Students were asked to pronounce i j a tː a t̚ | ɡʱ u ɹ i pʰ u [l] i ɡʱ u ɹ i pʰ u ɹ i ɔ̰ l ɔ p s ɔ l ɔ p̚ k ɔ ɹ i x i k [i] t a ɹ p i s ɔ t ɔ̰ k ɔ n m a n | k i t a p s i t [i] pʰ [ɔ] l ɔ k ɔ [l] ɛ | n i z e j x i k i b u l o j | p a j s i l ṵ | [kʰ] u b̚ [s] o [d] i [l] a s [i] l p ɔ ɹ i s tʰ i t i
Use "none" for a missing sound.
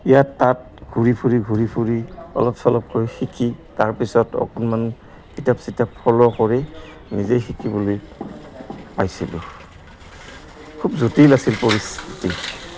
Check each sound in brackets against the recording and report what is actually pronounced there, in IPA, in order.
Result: ɹ, i, a, ɔ, ɹ, kʰ, z, t, l, i

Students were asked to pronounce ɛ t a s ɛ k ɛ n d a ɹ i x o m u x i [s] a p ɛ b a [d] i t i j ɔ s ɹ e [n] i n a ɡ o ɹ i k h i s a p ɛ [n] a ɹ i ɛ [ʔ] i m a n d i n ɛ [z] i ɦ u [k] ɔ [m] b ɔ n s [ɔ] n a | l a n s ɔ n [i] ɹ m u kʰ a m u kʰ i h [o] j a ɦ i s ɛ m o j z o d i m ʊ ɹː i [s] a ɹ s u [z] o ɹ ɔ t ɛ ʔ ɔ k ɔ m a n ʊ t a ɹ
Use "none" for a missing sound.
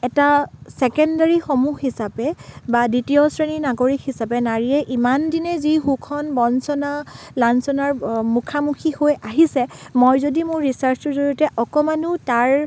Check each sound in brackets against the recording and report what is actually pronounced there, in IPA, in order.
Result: s, d, n, n, ʔ, z, kʰ, n, ɔ, a, o, s, z

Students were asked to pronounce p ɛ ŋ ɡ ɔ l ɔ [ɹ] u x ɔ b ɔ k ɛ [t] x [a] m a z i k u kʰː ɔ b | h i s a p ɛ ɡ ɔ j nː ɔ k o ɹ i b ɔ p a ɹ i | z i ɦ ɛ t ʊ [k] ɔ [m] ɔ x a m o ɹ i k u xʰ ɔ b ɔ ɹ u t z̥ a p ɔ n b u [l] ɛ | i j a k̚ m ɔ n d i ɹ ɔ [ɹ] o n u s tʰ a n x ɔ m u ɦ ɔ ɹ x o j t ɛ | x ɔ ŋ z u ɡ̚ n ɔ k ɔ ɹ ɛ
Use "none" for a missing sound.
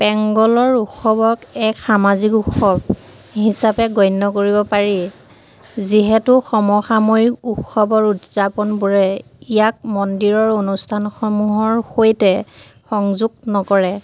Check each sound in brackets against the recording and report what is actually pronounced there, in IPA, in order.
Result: ɹ, k, a, x, m, ɹ, ɹ

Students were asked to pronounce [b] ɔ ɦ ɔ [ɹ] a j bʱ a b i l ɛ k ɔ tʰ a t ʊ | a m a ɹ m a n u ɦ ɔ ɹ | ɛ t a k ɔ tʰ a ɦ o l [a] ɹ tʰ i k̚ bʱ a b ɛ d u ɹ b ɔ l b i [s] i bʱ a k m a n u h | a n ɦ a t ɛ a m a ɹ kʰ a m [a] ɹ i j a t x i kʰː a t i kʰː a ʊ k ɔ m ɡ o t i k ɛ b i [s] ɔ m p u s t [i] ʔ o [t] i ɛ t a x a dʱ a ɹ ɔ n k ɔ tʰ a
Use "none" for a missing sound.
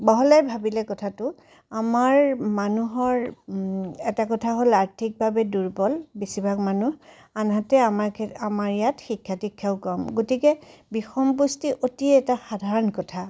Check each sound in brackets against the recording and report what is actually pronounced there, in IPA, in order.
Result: b, l, a, s, a, x, i, t

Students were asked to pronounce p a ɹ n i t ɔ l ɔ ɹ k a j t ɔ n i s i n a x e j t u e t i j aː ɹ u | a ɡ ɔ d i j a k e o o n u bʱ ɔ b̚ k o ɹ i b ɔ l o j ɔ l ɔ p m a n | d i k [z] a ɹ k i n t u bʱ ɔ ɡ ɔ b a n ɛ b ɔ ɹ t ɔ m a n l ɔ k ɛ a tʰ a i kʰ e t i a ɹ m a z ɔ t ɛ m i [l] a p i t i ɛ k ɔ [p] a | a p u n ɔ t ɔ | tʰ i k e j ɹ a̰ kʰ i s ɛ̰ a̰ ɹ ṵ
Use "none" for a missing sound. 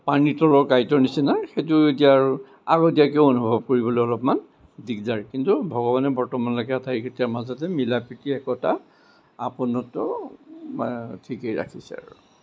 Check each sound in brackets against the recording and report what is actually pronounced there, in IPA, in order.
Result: z, l, t

